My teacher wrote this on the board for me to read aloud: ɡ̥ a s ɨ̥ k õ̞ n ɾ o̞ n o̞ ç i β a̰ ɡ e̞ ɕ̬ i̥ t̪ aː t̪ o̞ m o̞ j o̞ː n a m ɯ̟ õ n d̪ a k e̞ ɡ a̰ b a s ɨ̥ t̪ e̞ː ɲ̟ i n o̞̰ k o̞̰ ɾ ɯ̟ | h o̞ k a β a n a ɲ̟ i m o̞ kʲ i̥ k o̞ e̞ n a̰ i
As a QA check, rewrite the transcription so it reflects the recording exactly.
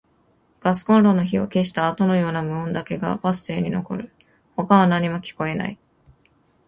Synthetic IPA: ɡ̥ a s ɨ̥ k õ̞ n ɾ o̞ n o̞ ç i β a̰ k e̞ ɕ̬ i̥ t̪ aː t̪ o̞ n o̞ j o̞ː n a m ɯ̟ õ n d̪ a k e̞ ɡ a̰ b a s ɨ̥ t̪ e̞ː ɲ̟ i n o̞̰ k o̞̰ ɾ ɯ̟ | h o̞ k a β a n a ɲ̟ i m o̞ kʲ i̥ k o̞ e̞ n a̰ i